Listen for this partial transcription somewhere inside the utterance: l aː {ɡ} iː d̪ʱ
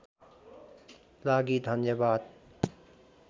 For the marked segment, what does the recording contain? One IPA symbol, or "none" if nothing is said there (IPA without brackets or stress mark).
ɡ